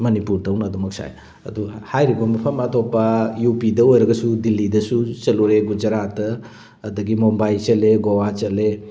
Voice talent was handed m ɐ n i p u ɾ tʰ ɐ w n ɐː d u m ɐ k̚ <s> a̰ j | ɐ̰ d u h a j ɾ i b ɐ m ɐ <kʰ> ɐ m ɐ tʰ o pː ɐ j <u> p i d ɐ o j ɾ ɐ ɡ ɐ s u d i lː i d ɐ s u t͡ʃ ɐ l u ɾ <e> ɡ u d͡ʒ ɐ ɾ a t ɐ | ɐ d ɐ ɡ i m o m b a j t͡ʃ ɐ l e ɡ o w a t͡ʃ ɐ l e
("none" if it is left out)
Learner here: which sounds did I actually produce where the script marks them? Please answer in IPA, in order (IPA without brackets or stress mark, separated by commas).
s, pʰ, u, e